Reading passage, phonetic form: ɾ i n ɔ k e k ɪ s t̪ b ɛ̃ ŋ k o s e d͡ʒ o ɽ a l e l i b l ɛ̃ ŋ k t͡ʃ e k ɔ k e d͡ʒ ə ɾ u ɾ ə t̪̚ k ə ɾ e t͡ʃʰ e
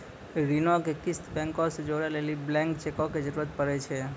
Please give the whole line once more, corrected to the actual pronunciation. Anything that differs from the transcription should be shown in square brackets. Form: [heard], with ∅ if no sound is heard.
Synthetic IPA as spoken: ɾ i n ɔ k e k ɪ s t̪ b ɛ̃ ŋ k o s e d͡ʒ o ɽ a l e l i b l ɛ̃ ŋ k t͡ʃ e k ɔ k e d͡ʒ ə ɾ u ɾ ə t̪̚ [p] ə ɾ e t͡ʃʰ e